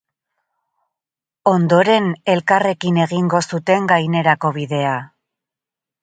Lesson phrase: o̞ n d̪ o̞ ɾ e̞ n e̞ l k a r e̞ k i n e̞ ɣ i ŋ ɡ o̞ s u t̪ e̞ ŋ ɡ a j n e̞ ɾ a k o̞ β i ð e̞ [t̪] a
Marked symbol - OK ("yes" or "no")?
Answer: no